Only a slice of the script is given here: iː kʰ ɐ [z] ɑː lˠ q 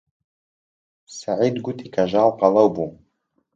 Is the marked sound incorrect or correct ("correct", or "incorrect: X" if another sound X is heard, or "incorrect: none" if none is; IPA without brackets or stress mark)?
incorrect: ʒ